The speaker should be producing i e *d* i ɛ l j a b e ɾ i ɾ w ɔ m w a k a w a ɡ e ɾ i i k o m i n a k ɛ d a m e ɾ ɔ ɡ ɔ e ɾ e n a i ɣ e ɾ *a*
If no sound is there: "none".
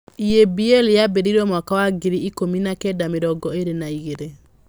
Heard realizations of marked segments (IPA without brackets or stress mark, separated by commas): b, e